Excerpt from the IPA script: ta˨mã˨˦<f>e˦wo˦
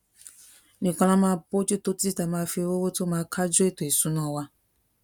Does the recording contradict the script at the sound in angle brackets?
no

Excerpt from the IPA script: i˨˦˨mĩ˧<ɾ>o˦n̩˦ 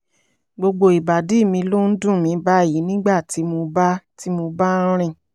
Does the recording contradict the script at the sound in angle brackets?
yes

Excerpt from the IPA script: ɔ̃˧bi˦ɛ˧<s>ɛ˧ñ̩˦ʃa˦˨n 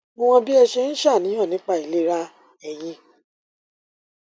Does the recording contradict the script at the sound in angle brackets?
yes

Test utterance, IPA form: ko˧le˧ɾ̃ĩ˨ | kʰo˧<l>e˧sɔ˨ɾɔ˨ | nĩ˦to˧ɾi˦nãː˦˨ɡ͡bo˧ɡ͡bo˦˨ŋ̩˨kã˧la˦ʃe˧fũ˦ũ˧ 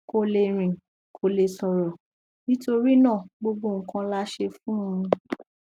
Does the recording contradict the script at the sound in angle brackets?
no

